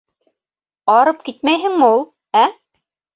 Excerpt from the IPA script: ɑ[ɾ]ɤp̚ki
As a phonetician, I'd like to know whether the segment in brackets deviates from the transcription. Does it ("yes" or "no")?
no